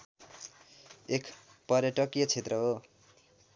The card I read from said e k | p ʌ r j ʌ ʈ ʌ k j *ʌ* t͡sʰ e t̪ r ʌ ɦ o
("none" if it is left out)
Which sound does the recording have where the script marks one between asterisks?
ʌ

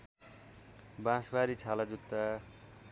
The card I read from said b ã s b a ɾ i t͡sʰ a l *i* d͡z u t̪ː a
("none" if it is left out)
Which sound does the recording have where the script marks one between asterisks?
a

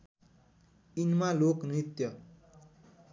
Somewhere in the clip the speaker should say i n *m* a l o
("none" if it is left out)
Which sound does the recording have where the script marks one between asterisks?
m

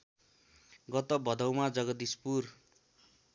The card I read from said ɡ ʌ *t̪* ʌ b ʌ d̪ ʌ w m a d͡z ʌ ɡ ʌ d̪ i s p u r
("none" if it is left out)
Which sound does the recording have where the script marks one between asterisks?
t̪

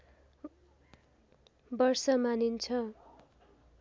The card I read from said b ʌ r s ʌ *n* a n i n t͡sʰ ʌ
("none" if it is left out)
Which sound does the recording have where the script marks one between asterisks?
m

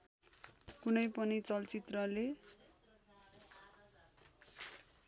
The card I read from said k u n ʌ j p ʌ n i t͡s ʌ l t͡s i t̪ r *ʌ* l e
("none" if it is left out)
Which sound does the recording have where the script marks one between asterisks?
ʌ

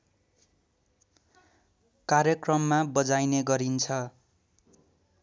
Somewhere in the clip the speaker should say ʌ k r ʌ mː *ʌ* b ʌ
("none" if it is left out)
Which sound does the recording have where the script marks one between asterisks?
a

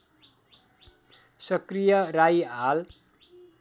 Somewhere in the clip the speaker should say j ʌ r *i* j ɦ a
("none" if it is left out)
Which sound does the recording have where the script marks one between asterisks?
a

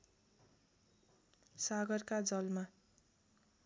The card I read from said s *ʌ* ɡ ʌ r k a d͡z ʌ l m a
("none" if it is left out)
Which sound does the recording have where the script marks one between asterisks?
a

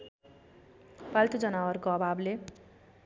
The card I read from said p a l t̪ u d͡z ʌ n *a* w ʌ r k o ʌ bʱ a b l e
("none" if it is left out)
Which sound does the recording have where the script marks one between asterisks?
a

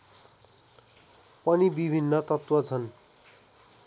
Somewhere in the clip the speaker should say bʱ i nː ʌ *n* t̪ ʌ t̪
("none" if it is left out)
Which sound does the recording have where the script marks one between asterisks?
none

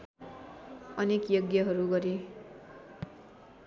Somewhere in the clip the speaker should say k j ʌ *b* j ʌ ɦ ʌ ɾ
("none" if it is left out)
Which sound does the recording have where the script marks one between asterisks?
ɡ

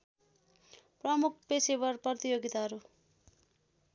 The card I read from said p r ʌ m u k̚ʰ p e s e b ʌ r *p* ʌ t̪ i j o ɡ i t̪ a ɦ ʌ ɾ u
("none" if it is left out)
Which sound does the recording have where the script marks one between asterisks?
p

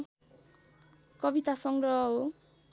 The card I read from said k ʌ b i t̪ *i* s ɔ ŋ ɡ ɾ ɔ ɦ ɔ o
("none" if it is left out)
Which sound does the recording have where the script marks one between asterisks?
a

